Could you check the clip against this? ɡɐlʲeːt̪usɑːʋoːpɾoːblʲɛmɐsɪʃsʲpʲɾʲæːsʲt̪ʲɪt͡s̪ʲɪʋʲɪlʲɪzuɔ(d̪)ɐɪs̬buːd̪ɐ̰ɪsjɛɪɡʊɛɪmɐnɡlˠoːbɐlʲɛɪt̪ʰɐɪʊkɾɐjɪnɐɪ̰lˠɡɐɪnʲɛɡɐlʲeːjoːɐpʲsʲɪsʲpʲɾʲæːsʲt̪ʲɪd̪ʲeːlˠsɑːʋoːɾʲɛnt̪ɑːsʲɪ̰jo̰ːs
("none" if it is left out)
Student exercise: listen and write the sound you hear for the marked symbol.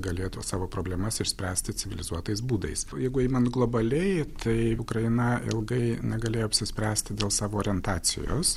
t̪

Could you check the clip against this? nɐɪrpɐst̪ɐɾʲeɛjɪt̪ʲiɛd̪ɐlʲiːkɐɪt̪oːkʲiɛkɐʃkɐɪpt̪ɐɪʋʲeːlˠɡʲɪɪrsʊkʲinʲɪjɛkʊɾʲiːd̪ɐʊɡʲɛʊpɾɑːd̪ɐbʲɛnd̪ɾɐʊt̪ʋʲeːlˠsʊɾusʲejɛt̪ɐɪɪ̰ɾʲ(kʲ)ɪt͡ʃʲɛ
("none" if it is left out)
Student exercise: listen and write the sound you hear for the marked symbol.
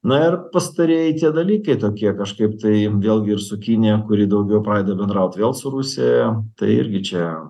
ɡʲ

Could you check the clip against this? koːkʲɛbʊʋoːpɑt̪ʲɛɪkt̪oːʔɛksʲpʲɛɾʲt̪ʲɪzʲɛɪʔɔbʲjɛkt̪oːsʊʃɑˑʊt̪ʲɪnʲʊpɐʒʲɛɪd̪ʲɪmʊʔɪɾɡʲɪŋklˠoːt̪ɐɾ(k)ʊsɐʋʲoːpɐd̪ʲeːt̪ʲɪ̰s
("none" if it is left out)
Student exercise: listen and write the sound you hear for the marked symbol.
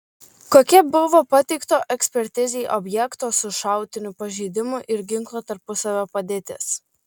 p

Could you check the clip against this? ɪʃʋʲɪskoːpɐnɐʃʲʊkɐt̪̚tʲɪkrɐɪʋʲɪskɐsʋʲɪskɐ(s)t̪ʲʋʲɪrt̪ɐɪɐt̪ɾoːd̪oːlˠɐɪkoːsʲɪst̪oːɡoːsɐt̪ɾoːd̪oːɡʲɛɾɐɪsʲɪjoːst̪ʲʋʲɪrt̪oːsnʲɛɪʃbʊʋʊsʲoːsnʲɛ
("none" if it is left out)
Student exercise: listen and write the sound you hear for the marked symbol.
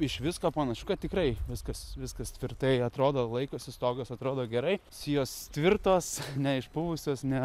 s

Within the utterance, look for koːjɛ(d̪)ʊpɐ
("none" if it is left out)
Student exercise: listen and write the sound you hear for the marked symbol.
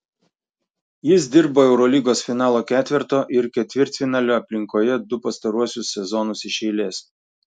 d̪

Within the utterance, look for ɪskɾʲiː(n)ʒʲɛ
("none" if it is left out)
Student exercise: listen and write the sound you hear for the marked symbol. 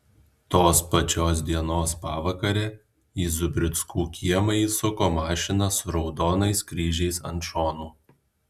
none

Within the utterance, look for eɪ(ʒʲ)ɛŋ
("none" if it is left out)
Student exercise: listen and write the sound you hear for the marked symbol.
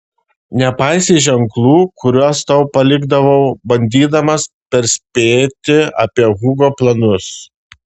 ʒʲ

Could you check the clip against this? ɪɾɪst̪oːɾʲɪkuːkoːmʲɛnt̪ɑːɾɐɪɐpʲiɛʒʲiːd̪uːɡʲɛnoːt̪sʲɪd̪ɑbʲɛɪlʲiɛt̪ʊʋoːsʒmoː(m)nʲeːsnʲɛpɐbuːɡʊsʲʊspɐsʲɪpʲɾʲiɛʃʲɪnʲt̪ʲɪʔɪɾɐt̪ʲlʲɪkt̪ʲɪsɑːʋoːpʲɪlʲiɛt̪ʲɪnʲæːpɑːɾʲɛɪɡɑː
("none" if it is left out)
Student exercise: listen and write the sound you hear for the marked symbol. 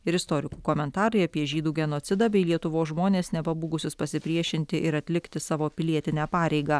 none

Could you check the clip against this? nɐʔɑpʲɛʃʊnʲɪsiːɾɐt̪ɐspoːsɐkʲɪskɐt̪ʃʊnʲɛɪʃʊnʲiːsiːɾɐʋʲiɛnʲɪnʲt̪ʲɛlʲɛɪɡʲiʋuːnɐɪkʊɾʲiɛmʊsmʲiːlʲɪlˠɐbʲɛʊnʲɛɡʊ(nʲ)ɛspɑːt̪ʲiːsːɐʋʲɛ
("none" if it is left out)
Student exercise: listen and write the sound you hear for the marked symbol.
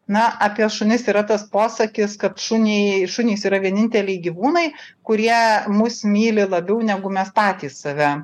mʲ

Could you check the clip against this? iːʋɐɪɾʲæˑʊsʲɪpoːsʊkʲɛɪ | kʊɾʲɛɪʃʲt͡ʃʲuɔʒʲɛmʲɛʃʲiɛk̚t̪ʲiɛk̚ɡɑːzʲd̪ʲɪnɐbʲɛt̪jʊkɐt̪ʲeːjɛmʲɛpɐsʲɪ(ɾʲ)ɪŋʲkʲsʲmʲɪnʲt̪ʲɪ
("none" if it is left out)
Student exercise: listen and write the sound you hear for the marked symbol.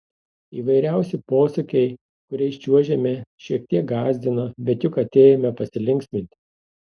lʲ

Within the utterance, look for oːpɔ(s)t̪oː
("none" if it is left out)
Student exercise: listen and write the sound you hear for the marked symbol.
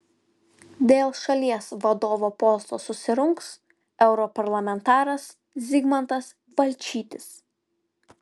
s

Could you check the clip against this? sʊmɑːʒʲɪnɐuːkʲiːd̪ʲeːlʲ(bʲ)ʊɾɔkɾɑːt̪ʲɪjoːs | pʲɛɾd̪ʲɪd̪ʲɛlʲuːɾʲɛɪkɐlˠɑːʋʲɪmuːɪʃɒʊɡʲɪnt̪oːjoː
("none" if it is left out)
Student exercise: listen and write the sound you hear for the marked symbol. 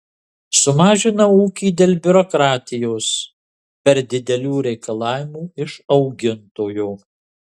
bʲ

